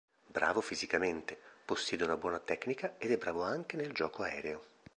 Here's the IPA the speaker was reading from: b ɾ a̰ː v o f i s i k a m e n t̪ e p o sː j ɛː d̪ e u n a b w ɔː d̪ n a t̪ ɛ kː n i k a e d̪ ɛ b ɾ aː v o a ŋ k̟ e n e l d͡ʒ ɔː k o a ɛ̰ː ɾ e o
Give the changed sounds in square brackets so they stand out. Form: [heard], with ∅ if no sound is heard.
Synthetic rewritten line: b ɾ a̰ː v o f i [z] i k a m e n t̪ e p o sː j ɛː d̪ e u n a b w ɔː [∅] n a t̪ ɛ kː n i k a e d̪ ɛ b ɾ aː v o a ŋ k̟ e n e l d͡ʒ ɔː k o a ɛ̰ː ɾ e o